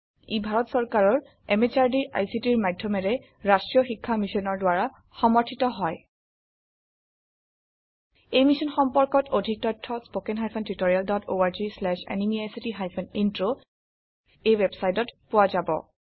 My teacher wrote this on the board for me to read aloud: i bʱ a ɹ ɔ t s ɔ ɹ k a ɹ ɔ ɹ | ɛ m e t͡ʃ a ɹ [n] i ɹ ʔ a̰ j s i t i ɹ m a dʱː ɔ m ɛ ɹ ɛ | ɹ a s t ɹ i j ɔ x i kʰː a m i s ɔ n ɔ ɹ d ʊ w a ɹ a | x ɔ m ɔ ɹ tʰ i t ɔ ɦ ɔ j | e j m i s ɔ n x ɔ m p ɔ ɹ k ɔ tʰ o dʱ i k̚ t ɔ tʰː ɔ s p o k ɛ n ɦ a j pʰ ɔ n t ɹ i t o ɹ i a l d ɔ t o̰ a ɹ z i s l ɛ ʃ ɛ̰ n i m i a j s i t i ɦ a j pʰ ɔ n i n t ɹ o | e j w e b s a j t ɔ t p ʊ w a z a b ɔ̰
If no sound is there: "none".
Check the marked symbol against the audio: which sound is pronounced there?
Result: d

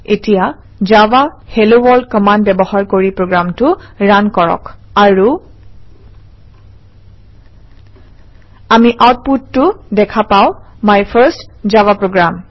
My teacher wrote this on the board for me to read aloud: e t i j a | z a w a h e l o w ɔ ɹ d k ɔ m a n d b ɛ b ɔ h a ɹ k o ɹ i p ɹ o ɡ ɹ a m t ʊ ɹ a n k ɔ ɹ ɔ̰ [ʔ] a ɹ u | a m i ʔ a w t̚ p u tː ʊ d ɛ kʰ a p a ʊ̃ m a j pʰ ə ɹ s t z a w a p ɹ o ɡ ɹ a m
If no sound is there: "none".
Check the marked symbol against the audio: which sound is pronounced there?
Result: k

